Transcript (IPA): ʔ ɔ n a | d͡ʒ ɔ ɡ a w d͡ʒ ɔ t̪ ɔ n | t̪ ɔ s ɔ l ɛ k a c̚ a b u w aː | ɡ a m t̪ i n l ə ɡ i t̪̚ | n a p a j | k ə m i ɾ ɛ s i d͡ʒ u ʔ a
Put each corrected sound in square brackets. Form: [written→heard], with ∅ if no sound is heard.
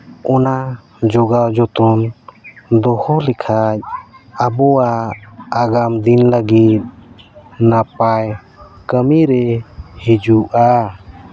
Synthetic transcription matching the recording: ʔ ɔ n a | d͡ʒ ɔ ɡ a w d͡ʒ ɔ t̪ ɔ n | [t̪→d̪] ɔ [s→h] ɔ l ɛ [k→kʰ] a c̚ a b [u→ɔ] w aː | ɡ a m [t̪→d̪] i n l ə ɡ i t̪̚ | n a p a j | k ə m i ɾ ɛ [s→h] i d͡ʒ u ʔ a